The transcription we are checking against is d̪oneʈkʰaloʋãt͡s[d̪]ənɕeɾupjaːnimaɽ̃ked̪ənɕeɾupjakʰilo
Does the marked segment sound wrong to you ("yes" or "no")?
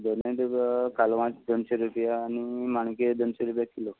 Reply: no